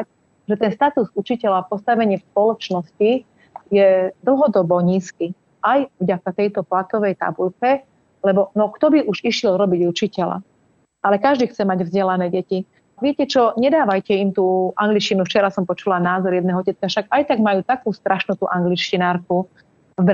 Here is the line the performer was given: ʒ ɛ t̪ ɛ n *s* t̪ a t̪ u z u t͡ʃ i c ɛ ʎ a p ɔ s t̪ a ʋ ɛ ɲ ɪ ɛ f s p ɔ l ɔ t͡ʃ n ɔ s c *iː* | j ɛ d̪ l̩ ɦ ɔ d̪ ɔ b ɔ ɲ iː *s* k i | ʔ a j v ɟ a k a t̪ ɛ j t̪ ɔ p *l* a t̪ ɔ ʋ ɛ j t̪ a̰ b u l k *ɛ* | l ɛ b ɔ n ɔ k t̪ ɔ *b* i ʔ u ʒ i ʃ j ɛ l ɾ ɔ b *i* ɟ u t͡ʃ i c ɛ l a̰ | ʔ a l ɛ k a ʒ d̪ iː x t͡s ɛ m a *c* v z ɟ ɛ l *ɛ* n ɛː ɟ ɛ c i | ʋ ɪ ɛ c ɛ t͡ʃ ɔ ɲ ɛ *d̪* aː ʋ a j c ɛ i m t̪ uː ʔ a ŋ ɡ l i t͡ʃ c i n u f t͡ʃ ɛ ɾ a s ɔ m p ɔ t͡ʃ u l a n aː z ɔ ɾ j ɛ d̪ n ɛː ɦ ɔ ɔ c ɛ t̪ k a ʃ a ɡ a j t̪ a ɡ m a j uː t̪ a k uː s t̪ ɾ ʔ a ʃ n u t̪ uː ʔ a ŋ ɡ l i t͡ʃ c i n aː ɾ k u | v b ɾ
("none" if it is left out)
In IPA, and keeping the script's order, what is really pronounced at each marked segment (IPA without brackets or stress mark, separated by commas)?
s, i, s, l, ɛ, b, i, ɟ, a, d̪